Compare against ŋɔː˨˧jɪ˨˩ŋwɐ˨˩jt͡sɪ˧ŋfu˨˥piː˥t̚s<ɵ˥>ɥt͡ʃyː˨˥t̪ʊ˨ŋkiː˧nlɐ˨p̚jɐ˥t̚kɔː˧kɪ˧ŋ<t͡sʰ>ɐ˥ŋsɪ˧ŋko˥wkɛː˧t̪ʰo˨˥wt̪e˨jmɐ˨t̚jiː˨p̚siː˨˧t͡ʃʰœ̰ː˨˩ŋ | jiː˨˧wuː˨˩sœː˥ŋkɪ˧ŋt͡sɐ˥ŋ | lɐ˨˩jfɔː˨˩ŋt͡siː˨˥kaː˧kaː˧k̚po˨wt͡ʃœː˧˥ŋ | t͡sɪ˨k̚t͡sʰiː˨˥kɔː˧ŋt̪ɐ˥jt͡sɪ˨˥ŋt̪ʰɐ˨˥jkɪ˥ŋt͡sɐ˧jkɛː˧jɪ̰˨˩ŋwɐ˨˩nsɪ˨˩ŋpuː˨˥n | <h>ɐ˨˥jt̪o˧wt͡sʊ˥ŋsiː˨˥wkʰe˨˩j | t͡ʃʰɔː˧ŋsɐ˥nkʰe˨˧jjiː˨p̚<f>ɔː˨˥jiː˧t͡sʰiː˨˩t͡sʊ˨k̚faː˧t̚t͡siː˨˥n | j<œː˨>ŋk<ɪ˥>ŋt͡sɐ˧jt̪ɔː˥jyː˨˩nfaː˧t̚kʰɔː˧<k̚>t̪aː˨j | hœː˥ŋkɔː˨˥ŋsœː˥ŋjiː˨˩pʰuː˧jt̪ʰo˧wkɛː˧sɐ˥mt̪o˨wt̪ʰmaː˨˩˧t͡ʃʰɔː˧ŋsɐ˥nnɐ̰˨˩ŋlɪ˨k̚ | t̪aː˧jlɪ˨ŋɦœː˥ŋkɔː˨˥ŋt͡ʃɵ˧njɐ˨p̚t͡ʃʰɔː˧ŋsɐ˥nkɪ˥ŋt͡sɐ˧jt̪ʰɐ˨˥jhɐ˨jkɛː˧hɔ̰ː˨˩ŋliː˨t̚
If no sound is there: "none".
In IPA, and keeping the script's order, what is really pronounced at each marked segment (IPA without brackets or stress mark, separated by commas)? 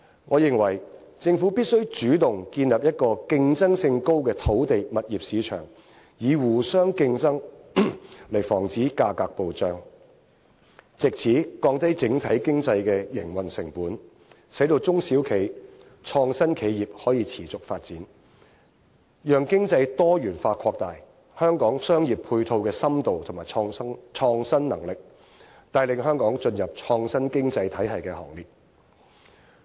ɵ˥, t͡s, s, h, œː˨, ɪ˥, k̚